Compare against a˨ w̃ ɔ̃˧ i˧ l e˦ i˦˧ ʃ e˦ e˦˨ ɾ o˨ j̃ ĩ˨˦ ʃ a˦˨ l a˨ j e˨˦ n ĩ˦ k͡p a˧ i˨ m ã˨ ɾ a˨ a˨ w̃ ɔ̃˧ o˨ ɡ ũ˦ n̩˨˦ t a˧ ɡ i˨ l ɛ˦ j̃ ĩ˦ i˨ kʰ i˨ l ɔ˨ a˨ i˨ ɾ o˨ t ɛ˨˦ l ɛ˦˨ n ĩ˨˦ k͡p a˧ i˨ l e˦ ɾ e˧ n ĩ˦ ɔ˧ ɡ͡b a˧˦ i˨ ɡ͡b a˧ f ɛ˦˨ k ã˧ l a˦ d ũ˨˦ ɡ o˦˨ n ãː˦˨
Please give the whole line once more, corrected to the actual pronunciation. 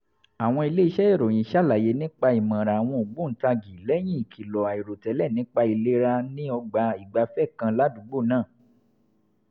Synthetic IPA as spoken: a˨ w̃ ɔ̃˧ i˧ l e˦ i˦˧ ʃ ɛ˦ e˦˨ ɾ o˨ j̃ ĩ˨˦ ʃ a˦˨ l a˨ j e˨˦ n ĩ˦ k͡p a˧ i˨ m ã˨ ɾ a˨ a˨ w̃ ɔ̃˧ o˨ ɡ͡b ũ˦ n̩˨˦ t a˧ ɡ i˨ l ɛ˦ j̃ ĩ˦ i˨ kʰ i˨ l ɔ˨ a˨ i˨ ɾ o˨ t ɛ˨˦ l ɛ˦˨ n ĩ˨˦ k͡p a˧ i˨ l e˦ ɾ a˧ n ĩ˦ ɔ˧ ɡ͡b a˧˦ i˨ ɡ͡b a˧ f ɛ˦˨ k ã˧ l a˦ d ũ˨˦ ɡ͡b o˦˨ n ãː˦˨

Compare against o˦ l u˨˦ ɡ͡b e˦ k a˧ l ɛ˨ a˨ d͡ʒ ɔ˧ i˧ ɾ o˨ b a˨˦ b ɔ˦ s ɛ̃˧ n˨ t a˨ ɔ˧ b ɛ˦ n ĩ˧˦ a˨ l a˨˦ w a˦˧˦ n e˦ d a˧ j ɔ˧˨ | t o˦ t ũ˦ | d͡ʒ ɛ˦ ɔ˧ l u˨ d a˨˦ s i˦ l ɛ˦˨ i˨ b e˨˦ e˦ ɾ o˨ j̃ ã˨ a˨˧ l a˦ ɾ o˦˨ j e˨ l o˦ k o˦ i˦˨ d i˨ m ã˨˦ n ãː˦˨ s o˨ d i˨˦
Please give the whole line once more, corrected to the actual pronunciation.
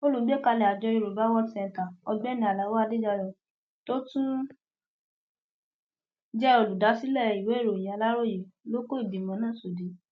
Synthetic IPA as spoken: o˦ l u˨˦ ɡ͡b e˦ k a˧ l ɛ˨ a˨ d͡ʒ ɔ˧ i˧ ɾ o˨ b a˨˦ w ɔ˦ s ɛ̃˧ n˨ t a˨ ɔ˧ ɡ͡b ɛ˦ n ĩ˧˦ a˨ l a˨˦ w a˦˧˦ d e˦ d͡ʒ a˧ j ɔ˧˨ | t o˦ t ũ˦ | d͡ʒ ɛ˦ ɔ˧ l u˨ d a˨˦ s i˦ l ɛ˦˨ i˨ w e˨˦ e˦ ɾ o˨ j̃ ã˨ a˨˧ l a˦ ɾ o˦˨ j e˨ l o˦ k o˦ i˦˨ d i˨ m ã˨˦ n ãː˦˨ s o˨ d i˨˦

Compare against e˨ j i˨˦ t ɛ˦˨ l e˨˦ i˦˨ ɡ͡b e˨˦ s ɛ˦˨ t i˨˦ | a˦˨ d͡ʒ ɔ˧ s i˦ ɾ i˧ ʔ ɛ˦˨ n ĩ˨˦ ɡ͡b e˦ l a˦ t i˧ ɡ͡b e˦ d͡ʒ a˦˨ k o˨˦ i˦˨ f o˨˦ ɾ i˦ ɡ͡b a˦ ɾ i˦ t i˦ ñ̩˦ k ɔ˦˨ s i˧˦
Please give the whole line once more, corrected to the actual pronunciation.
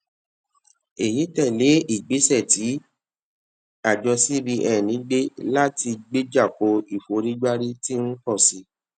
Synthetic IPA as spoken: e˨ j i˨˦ t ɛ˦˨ l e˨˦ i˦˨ ɡ͡b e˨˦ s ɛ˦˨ t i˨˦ | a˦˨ d͡ʒ ɔ˧ s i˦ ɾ i˧ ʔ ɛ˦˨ n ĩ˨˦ ɡ͡b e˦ l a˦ t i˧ ɡ͡b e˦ d͡ʒ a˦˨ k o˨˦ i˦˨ f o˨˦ ɾ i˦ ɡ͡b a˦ ɾ i˦ t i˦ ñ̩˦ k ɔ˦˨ s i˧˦

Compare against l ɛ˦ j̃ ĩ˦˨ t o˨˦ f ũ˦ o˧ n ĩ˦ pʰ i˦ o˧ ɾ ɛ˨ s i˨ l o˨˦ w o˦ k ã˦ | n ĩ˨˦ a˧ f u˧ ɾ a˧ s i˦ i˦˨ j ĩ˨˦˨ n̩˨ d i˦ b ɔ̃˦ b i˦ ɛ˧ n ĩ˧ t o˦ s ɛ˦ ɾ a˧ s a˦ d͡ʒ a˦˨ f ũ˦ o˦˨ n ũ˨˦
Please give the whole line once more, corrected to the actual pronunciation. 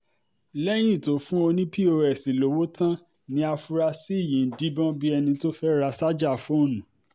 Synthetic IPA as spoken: l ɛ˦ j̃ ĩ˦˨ t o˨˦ f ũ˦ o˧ n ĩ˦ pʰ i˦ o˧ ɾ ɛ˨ s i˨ l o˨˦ w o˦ t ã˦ | n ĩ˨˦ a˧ f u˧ ɾ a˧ s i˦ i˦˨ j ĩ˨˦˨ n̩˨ d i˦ b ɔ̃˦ b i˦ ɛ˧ n ĩ˧ t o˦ f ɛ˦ ɾ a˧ s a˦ d͡ʒ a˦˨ f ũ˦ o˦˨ n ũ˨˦

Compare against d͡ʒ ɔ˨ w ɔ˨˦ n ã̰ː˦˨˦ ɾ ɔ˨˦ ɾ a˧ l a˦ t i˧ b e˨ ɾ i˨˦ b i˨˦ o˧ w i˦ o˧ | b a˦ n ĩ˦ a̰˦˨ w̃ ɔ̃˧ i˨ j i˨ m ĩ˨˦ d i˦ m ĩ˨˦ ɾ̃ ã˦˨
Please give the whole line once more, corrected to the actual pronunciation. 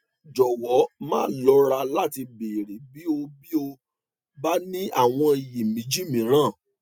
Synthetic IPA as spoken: d͡ʒ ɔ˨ w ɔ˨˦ m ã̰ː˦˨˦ l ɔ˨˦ ɾ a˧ l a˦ t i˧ b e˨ ɾ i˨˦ b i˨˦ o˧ b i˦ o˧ | b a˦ n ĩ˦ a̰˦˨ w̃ ɔ̃˧ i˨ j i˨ m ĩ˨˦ d͡ʒ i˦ m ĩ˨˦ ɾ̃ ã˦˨

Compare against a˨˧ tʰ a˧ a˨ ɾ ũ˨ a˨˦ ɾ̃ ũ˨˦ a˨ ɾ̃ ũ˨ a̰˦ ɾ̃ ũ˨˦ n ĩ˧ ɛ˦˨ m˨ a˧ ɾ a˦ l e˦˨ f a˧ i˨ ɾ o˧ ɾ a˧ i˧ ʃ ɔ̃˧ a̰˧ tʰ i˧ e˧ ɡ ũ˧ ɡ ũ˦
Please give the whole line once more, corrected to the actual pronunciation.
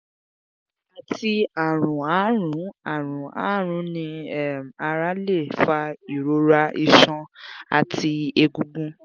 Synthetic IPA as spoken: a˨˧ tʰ i˧ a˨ ɾ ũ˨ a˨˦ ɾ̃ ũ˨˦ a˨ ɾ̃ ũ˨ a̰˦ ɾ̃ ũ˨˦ n ĩ˧ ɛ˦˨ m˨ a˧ ɾ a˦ l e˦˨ f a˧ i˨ ɾ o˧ ɾ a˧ i˧ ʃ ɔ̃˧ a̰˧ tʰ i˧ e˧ ɡ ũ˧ ɡ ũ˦

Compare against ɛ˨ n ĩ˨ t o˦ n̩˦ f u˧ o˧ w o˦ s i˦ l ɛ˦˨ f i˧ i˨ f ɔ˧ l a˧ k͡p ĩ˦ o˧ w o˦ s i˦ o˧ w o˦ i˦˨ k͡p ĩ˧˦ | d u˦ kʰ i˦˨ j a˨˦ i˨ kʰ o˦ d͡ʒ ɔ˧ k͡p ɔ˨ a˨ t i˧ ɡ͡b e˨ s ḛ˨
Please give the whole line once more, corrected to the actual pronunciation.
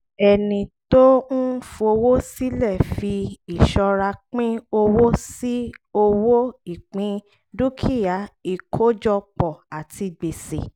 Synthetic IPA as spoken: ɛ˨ n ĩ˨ t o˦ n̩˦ f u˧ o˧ w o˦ s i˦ l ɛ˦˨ f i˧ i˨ ʃ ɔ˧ ɾ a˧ k͡p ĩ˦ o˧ w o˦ s i˦ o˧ w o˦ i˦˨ k͡p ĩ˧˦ | d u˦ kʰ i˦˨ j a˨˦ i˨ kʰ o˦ d͡ʒ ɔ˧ k͡p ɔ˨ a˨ t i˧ ɡ͡b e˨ s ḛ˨

